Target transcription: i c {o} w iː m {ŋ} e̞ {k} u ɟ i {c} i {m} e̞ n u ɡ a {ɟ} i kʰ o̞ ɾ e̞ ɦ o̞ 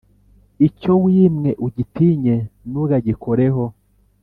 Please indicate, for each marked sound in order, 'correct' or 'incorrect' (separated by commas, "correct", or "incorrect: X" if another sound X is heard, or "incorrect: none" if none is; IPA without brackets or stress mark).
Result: correct, correct, incorrect: ʔ, incorrect: t, incorrect: ɲ, correct